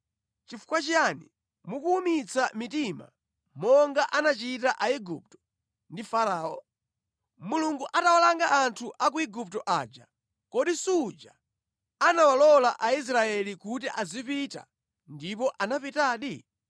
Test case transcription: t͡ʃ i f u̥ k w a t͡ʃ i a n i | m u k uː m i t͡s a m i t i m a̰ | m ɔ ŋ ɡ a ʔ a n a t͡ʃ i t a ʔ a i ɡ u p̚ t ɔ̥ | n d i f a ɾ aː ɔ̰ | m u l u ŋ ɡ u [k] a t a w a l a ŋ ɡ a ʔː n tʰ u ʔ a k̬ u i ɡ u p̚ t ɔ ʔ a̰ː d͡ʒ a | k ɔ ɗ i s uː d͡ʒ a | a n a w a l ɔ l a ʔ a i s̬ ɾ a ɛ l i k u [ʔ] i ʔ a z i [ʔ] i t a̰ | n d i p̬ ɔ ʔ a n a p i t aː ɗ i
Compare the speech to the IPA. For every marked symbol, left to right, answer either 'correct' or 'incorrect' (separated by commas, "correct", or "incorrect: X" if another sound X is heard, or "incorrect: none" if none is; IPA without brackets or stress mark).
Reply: incorrect: ʔ, incorrect: t, incorrect: p